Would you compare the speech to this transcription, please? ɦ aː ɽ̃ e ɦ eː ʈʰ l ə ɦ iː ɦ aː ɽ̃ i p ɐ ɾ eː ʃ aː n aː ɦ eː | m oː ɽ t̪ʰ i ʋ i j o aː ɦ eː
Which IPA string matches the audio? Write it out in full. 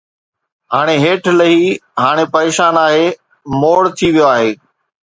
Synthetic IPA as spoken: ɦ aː ɽ̃ e ɦ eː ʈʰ l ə ɦ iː ɦ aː ɽ̃ e p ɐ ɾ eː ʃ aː n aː ɦ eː | m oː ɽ t̪ʰ i ʋ i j o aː ɦ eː